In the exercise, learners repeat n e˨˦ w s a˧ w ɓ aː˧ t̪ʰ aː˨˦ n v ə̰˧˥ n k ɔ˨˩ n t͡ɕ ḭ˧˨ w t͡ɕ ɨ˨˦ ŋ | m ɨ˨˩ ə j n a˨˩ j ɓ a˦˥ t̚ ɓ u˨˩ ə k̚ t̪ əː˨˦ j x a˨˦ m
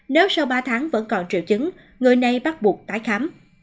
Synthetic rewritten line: n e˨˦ w s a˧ w ɓ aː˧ t̪ʰ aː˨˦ ŋ v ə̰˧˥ n k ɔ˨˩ n t͡ɕ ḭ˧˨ w t͡ɕ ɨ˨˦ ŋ | ŋ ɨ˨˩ ə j n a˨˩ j ɓ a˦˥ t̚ ɓ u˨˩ ə k̚ t̪ aː˨˦ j x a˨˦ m